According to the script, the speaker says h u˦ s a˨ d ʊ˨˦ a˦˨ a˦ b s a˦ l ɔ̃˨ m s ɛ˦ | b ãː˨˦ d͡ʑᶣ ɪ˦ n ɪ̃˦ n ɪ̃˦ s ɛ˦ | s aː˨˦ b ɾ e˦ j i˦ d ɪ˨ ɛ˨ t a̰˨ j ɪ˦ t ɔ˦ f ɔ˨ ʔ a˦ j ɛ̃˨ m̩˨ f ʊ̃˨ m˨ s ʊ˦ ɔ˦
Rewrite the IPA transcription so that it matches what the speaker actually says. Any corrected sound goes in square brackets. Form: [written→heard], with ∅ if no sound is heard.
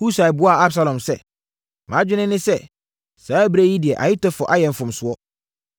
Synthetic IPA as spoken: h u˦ s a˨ [d→b] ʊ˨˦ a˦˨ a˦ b s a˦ l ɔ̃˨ m s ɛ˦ | [b→m] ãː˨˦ d͡ʑᶣ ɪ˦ n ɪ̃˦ n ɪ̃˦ s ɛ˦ | s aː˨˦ b ɾ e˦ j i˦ d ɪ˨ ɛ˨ [t→ʔ] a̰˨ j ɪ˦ t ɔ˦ f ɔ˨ ʔ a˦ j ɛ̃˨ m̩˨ f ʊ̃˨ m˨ s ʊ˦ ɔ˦

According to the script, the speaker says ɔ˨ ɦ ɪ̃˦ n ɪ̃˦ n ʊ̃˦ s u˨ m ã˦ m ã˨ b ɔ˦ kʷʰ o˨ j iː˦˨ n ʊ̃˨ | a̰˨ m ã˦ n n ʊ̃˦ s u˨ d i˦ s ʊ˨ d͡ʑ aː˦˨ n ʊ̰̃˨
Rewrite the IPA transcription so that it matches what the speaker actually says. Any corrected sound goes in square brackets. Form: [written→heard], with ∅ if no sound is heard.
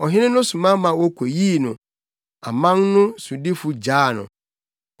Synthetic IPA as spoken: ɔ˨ ɦ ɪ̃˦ n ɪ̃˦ n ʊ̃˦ s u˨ m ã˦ m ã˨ [b→w] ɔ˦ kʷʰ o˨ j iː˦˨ n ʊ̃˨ | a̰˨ m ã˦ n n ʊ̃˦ s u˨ d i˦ [s→f] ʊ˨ d͡ʑ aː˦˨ n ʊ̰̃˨

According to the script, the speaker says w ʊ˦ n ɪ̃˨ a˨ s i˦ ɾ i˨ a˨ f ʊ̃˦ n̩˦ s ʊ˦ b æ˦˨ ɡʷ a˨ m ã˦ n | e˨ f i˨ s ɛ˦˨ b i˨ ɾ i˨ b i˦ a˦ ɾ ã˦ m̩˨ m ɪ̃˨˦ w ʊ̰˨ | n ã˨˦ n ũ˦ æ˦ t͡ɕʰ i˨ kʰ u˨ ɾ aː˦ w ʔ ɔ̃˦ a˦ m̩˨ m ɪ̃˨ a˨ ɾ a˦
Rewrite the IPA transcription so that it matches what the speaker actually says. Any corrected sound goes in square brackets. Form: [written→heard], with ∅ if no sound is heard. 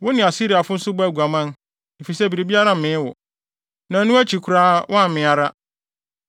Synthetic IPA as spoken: w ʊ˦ n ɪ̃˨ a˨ s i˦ ɾ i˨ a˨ f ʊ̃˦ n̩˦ s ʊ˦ b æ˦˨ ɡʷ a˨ m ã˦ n | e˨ f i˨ s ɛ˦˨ b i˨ ɾ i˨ b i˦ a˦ ɾ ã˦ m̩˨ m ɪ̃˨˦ w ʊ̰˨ | n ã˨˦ n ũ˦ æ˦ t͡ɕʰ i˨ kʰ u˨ ɾ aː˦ w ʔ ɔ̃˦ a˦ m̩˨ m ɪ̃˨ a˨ ɾ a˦

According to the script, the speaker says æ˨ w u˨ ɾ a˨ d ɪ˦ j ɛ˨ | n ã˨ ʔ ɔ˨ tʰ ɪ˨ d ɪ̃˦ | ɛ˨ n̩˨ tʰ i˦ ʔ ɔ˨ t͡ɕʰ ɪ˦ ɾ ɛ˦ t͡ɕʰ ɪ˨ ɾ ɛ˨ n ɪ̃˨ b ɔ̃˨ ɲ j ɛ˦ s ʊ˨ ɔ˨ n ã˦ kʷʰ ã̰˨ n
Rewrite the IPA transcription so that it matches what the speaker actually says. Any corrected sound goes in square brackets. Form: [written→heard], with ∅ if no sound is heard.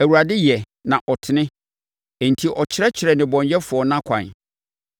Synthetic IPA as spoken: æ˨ w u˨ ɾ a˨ d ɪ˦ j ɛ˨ | n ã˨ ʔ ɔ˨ tʰ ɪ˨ [d→n] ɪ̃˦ | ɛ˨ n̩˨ tʰ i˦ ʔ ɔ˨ t͡ɕʰ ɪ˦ ɾ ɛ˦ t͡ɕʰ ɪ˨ ɾ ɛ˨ n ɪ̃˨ b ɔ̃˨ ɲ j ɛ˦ [s→f] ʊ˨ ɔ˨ n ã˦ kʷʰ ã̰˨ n

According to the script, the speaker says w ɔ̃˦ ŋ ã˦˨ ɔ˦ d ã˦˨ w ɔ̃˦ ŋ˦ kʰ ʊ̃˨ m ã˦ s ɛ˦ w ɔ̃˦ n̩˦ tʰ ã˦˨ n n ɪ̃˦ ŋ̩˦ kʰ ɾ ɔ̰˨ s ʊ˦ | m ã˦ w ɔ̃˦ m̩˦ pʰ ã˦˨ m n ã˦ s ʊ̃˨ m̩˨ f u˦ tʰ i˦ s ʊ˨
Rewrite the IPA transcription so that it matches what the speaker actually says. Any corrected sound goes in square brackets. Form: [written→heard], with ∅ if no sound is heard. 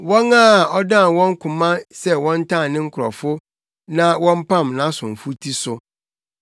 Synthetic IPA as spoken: w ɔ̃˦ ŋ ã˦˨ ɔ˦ d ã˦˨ w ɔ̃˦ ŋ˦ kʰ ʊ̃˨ m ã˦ s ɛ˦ w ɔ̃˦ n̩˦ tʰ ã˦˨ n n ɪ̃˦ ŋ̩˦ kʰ ɾ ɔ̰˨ [s→f] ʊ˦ | [m→n] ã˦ w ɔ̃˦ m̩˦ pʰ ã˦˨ m n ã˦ s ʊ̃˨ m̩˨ f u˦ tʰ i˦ s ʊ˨

